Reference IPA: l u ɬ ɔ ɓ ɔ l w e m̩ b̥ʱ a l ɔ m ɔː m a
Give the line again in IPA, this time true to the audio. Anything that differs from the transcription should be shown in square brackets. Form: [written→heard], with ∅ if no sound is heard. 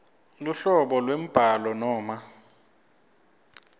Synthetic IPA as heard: l u ɬ ɔ ɓ ɔ l w e m̩ b̥ʱ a l ɔ [m→n] ɔː m a